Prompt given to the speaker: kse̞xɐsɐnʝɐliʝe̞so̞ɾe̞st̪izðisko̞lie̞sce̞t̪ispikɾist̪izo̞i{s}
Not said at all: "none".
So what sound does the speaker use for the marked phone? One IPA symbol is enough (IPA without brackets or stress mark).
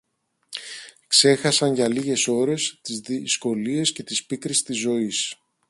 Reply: s